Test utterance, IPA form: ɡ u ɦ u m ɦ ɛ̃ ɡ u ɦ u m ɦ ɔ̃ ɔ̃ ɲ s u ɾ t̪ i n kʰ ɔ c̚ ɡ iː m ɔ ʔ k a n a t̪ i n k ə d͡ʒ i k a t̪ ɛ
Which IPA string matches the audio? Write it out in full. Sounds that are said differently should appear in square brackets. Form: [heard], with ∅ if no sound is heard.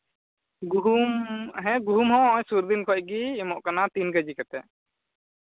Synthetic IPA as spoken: ɡ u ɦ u m ɦ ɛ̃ ɡ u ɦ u m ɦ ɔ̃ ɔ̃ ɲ s u ɾ [d̪] i n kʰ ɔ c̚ ɡ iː m ɔ ʔ k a n a t̪ i n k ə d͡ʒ i k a t̪ ɛ